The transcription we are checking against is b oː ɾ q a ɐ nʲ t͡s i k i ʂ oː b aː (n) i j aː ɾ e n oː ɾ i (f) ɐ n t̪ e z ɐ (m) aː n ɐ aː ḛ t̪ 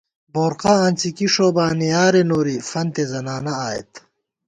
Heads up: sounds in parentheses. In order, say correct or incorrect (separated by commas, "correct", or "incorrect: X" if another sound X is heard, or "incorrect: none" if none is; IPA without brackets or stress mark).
correct, correct, incorrect: n